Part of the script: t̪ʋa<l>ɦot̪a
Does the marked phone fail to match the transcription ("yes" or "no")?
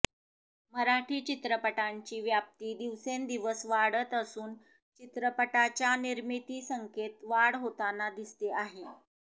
yes